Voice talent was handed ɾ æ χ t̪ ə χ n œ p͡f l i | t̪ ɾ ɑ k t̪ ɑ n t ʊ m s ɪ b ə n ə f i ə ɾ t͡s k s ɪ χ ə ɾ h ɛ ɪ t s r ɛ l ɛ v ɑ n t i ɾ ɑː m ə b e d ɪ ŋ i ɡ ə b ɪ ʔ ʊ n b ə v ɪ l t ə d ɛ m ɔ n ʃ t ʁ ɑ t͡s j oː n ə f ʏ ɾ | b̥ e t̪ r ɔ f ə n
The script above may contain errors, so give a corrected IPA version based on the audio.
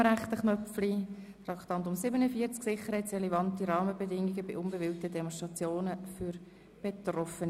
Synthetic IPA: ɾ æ χ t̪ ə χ n œ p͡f l i | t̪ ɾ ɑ k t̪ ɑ n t ʊ m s ɪ b ə n ə f i ə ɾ t͡s k s ɪ χ ə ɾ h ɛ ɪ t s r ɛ l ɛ v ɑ n t i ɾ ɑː m ə b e d ɪ ŋ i ɡ ə b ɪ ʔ ʊ n b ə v ɪ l t ə d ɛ m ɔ n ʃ t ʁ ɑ t͡s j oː n ə f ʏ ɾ | b̥ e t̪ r ɔ f ə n